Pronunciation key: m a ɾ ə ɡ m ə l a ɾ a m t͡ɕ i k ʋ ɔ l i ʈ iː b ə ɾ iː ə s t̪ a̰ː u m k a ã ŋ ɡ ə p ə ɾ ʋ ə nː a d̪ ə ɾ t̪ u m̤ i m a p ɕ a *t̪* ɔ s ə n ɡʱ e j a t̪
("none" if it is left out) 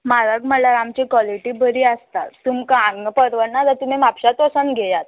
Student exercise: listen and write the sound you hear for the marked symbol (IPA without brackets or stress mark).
t̪